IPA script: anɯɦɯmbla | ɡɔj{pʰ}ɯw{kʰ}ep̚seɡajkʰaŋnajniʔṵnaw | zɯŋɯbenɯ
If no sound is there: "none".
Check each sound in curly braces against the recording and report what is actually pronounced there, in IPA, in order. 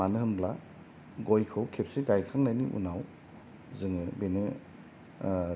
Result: kʰ, kʰ

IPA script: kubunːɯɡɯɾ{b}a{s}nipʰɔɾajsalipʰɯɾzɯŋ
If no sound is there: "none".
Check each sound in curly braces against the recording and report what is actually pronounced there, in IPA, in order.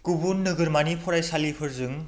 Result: m, none

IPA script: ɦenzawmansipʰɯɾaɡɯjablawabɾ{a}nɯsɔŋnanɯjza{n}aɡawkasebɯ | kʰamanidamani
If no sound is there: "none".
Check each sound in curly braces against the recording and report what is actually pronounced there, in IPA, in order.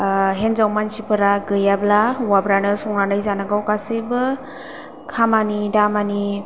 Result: a, n

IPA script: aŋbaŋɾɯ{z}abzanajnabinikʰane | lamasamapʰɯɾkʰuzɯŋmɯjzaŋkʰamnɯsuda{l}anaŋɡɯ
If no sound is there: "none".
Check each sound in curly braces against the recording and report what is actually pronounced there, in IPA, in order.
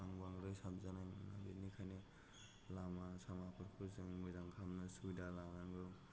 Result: s, l

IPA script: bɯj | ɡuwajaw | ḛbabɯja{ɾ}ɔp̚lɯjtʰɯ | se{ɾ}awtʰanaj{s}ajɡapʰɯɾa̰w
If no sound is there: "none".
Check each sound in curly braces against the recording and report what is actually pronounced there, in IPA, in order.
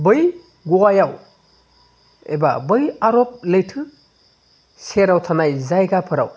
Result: ɾ, ɾ, z

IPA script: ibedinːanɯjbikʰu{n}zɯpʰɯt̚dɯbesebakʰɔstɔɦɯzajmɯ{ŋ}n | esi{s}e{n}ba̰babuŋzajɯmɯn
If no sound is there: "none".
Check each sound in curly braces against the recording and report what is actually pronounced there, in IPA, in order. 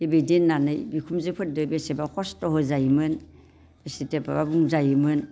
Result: m, none, t, none

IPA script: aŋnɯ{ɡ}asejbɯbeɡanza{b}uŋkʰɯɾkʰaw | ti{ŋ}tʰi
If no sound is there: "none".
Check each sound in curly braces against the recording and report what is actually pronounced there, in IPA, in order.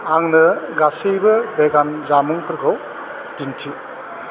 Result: ɡ, m, n

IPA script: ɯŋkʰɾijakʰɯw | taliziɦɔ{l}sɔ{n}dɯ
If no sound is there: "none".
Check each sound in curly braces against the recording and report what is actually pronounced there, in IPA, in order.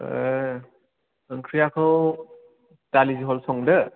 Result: l, ŋ

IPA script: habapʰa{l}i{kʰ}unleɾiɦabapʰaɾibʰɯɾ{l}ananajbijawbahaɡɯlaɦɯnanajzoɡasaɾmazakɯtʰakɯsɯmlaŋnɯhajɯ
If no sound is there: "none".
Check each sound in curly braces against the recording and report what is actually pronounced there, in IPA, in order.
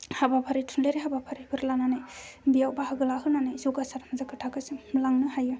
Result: ɾ, tʰ, l

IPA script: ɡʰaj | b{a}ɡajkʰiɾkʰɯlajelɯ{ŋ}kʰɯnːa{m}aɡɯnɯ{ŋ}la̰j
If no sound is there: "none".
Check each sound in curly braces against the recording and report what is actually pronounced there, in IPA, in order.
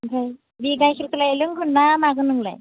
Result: i, ŋ, m, ŋ

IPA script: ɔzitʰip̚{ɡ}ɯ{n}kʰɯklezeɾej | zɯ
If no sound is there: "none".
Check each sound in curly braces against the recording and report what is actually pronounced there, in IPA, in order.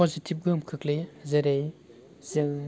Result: ɡ, m

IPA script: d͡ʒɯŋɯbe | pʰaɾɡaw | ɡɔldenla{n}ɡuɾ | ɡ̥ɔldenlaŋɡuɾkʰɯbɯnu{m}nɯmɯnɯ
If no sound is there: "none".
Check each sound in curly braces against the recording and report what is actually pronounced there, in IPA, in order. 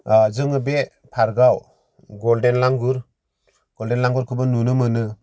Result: ŋ, none

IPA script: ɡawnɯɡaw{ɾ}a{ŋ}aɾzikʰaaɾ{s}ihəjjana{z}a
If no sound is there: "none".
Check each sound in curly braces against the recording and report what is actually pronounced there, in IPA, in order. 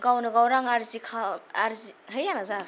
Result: ɾ, ŋ, z, z

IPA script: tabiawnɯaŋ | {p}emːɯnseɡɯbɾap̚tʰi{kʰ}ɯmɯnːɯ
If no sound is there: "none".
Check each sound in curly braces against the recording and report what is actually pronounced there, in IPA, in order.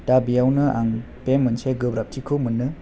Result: p, kʰ

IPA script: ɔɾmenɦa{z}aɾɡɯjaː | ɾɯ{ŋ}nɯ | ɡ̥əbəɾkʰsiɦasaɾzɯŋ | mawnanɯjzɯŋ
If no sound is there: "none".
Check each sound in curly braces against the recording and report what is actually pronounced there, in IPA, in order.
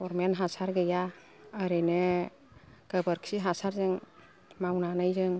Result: s, none

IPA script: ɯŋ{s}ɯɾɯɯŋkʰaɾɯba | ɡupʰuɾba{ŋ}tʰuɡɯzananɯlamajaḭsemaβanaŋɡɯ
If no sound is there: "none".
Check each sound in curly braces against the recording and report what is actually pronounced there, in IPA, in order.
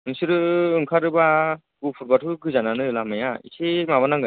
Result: s, none

